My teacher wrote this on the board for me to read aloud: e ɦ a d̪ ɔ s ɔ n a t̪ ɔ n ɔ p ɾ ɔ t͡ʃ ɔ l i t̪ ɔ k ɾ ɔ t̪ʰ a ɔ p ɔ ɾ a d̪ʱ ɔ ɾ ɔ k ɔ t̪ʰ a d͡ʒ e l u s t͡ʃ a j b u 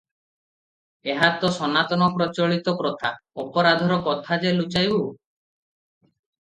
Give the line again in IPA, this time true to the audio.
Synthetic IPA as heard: e ɦ a t̪ ɔ s ɔ n a t̪ ɔ n ɔ p ɾ ɔ t͡ʃ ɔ ɭ i t̪ ɔ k ɾ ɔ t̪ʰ a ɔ p ɔ ɾ a d̪ʱ ɔ ɾ ɔ k ɔ t̪ʰ a d͡ʒ e l u t͡ʃ a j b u

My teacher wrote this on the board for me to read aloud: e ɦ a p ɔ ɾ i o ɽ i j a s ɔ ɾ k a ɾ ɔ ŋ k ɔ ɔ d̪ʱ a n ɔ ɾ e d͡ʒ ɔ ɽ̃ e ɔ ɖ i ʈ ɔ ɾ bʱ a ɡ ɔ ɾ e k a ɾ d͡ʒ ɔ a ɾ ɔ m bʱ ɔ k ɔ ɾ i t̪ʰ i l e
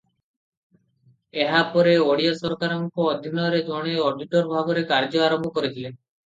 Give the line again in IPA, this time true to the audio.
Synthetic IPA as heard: e ɦ a p ɔ ɾ e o ɽ i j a s ɔ ɾ k a ɾ ɔ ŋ k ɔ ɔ d̪ʱ i n ɔ ɾ e d͡ʒ ɔ ɽ̃ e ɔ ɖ i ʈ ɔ ɾ bʱ a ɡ ɔ ɾ e k a ɾ d͡ʒ ɔ a ɾ ɔ m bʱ ɔ k ɔ ɾ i t̪ʰ i l e

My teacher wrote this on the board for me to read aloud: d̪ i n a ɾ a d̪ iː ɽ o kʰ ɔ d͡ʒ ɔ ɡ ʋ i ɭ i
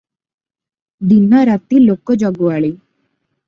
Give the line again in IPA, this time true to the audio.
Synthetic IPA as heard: d̪ i n a ɾ a t̪ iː l o k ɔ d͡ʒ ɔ ɡ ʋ a ɭ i

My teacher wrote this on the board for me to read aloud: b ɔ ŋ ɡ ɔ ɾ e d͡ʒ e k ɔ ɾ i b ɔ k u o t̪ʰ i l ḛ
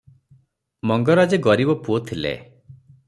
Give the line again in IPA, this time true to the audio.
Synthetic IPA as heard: m ɔ ŋ ɡ ɔ ɾ a d͡ʒ e ɡ ɔ ɾ i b ɔ p u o t̪ʰ i l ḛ

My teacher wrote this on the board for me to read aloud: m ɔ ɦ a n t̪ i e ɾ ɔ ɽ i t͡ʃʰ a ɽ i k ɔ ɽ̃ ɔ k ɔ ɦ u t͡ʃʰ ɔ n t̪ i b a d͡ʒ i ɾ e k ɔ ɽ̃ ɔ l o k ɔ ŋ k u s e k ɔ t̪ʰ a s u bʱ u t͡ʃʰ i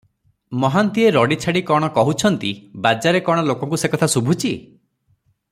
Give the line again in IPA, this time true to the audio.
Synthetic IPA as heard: m ɔ ɦ a n t̪ i e ɾ ɔ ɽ i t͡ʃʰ a ɽ i k ɔ ɽ̃ ɔ k ɔ ɦ u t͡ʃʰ ɔ n t̪ i b a d͡ʒ a ɾ e k ɔ ɽ̃ ɔ l o k ɔ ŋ k u s e k ɔ t̪ʰ a s u bʱ u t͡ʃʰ i

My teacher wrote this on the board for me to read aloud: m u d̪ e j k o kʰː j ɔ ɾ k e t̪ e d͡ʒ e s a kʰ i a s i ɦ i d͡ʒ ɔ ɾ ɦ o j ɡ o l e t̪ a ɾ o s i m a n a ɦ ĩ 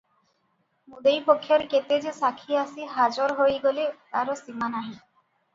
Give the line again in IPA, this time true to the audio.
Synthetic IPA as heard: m u d̪ e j p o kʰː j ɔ ɾ k e t̪ e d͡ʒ e s a kʰ i a s i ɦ a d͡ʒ ɔ ɾ ɦ o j ɡ o l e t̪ a ɾ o s i m a n a ɦ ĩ

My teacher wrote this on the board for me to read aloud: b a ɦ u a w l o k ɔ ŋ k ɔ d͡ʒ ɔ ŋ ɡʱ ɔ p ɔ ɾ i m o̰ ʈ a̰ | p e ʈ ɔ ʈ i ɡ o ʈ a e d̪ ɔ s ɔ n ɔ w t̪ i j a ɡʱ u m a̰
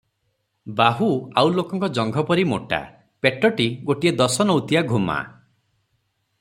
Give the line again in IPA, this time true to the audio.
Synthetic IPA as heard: b a ɦ u a w l o k ɔ ŋ k ɔ d͡ʒ ɔ ŋ ɡʱ ɔ p ɔ ɾ i m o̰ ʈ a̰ | p e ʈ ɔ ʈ i ɡ o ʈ i e d̪ ɔ s ɔ n ɔ w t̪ i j a ɡʱ u m a̰

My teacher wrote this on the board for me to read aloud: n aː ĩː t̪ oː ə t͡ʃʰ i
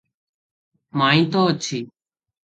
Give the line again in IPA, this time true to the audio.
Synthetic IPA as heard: m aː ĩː t̪ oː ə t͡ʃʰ iː

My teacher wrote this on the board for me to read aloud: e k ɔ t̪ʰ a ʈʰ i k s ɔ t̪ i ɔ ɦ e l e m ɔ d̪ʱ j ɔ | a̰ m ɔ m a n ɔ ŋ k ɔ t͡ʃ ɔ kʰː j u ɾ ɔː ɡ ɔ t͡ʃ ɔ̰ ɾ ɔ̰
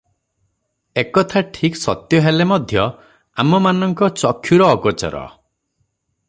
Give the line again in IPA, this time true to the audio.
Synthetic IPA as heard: e k ɔ t̪ʰ a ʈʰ i k s ɔ t̪ j ɔ ɦ e l e m ɔ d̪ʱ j ɔ | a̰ m ɔ m a n ɔ ŋ k ɔ t͡ʃ ɔ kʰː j u ɾ ɔː ɡ ɔ t͡ʃ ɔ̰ ɾ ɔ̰

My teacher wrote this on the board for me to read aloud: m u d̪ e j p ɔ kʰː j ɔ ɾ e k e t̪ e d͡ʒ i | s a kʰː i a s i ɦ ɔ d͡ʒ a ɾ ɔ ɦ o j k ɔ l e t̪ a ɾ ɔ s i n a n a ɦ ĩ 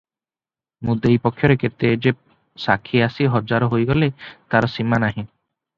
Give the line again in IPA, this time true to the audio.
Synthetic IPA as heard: m u d̪ e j p ɔ kʰː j ɔ ɾ e k e t̪ e d͡ʒ e | s a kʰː i a s i ɦ ɔ d͡ʒ a ɾ ɔ ɦ o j ɡ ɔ l e t̪ a ɾ ɔ s i m a n a ɦ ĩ

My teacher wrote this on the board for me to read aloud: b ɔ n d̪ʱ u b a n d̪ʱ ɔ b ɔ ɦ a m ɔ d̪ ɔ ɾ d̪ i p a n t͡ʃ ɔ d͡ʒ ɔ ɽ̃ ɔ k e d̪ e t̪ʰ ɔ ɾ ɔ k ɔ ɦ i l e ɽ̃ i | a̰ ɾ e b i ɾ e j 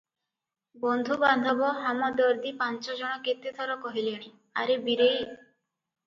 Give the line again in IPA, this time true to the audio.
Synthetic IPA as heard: b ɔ n d̪ʱ u b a n d̪ʱ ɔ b ɔ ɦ a m ɔ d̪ ɔ ɾ d̪ i p a n t͡ʃ ɔ d͡ʒ ɔ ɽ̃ ɔ k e t̪ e t̪ʰ ɔ ɾ ɔ k ɔ ɦ i l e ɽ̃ i | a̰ ɾ e b i ɾ e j

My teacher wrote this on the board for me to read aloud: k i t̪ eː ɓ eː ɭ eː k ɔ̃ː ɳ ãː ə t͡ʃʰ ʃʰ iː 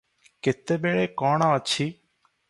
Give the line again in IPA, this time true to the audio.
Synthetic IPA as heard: k ɪ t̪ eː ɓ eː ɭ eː k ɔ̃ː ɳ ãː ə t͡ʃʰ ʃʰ iː

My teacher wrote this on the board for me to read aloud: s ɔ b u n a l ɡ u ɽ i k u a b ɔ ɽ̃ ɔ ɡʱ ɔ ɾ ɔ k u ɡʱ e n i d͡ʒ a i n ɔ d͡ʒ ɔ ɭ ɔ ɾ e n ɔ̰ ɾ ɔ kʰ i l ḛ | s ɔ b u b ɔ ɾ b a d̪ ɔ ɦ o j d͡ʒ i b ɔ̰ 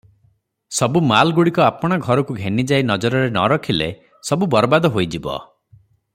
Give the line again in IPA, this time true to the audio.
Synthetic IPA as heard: s ɔ b u m a l ɡ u ɽ i k ɔ a p ɔ ɽ̃ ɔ ɡʱ ɔ ɾ ɔ k u ɡʱ e n i d͡ʒ a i n ɔ d͡ʒ ɔ ɾ ɔ ɾ e n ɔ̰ ɾ ɔ kʰ i l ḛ | s ɔ b u b ɔ ɾ b a d̪ ɔ ɦ o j d͡ʒ i b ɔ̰

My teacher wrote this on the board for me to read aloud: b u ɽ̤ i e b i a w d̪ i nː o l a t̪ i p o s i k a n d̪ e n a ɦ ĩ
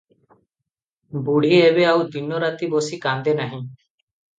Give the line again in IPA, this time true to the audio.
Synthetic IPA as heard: b u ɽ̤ i e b e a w d̪ i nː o ɾ a t̪ i b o s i k a n d̪ e n a ɦ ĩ

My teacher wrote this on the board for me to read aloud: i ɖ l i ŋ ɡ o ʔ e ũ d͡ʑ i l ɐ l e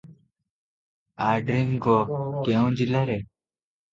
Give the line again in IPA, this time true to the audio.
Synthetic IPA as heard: a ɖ ɾ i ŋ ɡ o k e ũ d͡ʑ i l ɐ ɾ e

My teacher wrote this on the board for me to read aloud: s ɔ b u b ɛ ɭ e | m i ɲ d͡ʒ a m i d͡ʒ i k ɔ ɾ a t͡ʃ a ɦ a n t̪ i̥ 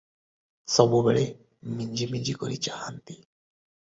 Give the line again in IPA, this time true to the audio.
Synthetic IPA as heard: s ɔ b u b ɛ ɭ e | m i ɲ d͡ʒ i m i d͡ʒ i k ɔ ɾ i t͡ʃ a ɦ a n t̪ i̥

